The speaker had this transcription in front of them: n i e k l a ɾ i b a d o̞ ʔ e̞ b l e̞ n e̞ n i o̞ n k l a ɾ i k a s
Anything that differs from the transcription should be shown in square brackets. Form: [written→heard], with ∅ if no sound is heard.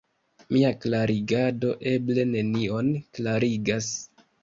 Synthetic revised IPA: [n→m] i [e→a] k l a ɾ i [b→ɡ] a d o̞ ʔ e̞ b l e̞ n e̞ n i o̞ n k l a ɾ i [k→ɡ] a s